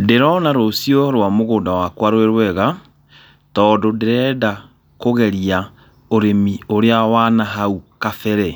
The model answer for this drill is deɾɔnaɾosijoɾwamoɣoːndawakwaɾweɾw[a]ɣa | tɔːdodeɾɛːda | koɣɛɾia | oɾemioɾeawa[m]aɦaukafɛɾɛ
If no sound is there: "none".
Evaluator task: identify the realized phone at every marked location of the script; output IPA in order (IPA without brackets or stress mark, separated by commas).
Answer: ɛ, n